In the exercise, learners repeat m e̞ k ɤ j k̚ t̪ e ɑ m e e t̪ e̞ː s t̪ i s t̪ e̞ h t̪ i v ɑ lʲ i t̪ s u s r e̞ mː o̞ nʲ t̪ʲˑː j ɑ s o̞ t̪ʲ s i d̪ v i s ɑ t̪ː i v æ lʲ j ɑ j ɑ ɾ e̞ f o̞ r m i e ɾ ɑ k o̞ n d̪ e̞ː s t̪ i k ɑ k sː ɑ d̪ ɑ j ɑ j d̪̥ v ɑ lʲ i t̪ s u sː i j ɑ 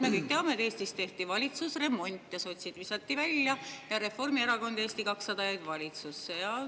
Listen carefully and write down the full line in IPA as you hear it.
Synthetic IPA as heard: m e̞ k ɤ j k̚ t̪ e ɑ m e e t̪ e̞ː s t̪ i s t̪ e̞ h t̪ i v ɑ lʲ i t̪ s u s r e̞ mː o̞ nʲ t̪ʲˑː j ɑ s o̞ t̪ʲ s i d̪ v i s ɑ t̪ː i v æ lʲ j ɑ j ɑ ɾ e̞ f o̞ r m i e ɾ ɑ k o̞ n d̪ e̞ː s t̪ i k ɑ k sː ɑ d̪ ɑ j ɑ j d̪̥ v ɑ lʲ i t̪ s u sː e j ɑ